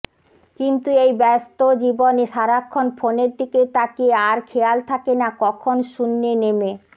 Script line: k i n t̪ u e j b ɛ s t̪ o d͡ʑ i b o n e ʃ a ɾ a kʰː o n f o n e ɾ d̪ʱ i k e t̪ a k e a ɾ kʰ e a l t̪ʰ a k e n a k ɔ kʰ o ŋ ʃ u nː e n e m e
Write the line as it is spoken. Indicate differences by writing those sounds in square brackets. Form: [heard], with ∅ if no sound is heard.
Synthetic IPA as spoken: k i n t̪ u e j b ɛ s t̪ o d͡ʑ i b o n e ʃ a ɾ a kʰː o n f o n e ɾ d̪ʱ i k e t̪ a k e a ɾ kʰ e a l t̪ʰ a k e n a k ɔ kʰ o [n] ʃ u nː e n e m e